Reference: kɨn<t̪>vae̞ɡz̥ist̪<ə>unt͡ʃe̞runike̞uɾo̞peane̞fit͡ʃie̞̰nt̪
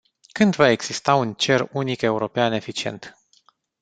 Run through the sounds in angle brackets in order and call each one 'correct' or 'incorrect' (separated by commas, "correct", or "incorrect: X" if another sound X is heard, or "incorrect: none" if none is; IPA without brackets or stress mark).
incorrect: d̪, incorrect: a